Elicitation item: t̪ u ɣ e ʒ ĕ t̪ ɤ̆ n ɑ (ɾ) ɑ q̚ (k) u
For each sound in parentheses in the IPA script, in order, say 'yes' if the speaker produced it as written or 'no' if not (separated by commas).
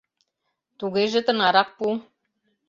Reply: yes, no